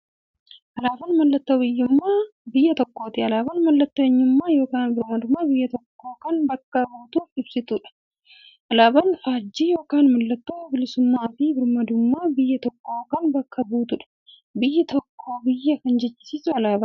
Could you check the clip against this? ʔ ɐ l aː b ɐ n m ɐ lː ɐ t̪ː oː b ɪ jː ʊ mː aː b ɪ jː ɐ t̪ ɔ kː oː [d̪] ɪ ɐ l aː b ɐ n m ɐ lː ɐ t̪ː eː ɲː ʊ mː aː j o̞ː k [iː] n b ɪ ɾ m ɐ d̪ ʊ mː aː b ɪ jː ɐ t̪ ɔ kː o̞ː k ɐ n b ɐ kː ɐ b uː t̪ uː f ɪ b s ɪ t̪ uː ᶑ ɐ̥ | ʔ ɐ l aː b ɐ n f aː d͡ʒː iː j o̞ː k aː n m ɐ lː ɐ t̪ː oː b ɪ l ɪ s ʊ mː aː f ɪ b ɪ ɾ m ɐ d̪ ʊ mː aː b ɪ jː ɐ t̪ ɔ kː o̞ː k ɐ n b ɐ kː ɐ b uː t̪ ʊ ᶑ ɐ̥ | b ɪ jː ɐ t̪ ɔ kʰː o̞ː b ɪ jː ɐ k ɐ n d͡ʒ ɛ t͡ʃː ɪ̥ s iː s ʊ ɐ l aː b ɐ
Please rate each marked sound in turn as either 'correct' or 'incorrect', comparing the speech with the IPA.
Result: incorrect, incorrect

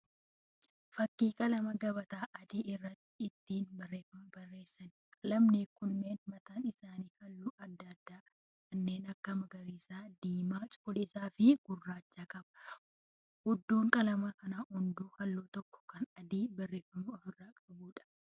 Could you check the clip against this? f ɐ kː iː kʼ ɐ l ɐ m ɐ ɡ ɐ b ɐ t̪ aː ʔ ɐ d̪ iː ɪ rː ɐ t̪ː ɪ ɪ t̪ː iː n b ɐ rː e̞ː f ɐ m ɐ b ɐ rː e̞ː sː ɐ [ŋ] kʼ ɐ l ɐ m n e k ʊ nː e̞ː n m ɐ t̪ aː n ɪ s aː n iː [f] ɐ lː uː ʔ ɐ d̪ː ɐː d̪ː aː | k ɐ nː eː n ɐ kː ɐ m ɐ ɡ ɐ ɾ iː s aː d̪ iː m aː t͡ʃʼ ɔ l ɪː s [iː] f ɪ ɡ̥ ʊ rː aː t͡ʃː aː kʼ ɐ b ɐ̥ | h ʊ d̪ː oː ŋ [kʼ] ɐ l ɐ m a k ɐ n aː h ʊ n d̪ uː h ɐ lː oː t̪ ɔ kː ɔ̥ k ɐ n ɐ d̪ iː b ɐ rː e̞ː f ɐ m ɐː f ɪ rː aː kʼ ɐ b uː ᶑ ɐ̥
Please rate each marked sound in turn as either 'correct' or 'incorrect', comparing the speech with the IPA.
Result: incorrect, incorrect, incorrect, correct

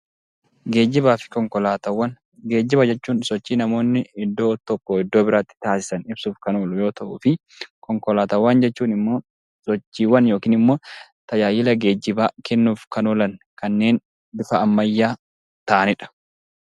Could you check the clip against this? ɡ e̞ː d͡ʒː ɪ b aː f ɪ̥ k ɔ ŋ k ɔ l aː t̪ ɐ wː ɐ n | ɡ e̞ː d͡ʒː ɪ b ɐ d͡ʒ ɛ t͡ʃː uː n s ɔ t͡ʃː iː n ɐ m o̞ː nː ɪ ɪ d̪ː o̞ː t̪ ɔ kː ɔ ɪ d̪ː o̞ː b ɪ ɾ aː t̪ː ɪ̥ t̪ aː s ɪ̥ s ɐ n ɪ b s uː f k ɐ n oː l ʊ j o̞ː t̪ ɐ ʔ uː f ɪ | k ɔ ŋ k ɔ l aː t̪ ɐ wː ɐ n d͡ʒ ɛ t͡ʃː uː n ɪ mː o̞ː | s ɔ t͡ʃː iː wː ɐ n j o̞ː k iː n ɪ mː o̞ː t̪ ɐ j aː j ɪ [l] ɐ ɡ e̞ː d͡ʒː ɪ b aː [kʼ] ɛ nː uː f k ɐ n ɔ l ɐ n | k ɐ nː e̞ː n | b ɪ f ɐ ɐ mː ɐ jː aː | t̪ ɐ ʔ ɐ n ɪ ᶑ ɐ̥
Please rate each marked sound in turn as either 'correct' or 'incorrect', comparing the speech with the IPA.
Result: correct, incorrect

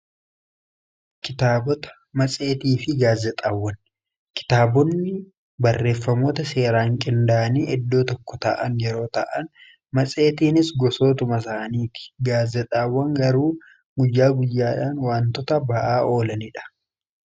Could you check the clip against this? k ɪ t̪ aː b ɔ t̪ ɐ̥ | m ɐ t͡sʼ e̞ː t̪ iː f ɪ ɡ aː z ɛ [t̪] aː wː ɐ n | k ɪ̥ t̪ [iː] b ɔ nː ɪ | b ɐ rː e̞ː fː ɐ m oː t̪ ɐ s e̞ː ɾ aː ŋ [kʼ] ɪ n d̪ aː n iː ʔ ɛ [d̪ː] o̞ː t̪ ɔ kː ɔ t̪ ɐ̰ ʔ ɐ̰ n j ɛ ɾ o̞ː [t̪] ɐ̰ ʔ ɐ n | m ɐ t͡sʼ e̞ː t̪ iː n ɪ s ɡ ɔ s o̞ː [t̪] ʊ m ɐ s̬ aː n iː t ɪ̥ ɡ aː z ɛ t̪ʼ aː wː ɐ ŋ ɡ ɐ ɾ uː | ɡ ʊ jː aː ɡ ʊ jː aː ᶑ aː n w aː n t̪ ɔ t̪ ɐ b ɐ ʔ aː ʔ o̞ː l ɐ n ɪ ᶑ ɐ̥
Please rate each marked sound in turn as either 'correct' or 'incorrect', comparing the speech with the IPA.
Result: incorrect, incorrect, correct, correct, correct, correct

